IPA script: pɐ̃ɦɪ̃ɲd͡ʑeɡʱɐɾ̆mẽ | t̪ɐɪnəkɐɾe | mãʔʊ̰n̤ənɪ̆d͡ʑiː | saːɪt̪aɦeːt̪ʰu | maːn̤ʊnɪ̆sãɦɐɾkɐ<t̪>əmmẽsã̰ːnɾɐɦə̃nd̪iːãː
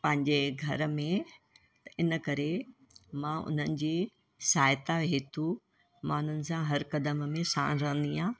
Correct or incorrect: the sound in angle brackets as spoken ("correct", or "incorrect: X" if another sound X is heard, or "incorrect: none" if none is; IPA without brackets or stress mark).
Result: incorrect: d̪